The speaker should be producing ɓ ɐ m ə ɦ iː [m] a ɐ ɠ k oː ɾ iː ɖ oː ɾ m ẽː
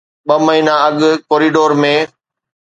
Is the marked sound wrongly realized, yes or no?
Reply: yes